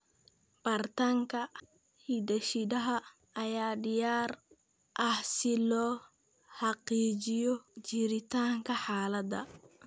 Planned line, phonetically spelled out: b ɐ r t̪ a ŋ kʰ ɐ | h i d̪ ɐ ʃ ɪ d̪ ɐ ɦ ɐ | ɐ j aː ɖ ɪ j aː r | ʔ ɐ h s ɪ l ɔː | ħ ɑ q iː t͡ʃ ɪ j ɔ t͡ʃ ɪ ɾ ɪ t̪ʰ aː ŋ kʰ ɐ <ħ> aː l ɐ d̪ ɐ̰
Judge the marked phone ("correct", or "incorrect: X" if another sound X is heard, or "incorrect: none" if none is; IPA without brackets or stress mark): correct